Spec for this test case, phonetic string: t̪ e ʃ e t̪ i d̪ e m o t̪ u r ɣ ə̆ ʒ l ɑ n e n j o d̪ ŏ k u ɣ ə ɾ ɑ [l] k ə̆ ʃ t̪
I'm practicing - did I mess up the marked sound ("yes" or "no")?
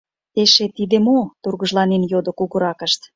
yes